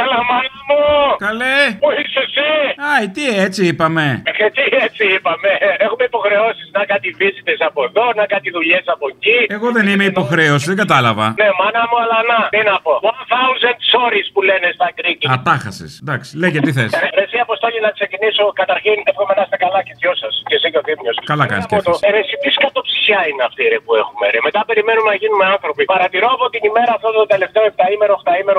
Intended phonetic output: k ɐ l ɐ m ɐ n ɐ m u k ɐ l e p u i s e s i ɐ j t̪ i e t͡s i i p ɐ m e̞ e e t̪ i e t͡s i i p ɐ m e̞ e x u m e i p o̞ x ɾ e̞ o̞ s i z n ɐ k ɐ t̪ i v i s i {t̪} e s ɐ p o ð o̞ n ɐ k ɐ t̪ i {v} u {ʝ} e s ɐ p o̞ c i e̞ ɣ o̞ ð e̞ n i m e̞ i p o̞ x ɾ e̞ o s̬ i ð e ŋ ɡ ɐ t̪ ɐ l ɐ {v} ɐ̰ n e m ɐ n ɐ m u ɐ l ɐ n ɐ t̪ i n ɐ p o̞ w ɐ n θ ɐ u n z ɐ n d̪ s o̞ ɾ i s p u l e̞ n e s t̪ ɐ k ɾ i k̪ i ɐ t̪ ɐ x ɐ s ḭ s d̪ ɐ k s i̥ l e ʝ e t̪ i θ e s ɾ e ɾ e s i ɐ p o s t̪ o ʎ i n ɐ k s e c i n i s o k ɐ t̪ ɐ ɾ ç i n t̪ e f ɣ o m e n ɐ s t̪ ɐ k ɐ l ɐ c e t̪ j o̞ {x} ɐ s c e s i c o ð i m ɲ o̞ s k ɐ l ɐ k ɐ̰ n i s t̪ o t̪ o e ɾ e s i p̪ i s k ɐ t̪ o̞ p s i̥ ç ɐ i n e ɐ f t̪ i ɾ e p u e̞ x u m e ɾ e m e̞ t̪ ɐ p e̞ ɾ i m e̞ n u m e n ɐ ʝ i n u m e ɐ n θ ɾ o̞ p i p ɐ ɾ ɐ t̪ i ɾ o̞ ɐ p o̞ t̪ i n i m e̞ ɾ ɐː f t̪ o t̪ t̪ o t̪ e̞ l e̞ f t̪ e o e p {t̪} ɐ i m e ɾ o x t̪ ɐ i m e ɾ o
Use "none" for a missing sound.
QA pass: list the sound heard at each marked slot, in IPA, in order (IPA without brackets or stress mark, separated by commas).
t̪, ð, ʎ, v, s, t̪